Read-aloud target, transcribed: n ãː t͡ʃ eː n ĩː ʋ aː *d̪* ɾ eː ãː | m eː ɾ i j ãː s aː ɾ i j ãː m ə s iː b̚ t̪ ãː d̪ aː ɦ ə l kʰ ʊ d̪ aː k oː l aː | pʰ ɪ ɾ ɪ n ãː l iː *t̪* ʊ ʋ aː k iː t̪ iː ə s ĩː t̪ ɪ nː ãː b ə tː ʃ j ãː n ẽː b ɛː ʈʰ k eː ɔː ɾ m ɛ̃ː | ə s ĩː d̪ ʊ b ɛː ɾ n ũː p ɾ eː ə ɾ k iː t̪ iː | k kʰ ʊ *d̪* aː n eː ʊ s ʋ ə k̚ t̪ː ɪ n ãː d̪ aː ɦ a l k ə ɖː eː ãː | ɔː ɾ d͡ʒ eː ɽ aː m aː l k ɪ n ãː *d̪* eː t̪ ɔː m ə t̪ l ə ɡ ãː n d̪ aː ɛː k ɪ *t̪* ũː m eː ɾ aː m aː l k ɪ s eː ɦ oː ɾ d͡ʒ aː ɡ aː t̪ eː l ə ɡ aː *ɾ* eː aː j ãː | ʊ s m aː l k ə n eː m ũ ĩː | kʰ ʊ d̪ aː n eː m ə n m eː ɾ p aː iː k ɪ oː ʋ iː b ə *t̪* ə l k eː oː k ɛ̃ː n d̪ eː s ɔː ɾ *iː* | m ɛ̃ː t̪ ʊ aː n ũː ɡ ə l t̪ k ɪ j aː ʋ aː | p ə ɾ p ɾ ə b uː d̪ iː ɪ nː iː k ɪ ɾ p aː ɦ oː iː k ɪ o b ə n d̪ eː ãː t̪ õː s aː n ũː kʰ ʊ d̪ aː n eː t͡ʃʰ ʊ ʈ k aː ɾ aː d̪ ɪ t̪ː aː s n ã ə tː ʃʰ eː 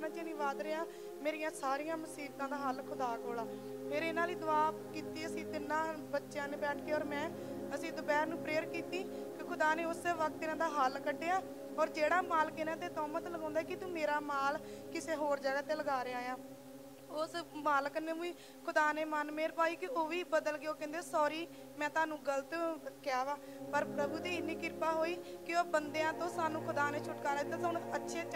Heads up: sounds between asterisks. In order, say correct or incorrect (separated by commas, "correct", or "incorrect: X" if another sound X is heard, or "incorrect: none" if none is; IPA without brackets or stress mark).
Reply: correct, incorrect: d̪, correct, incorrect: t̪, correct, correct, incorrect: d̪, correct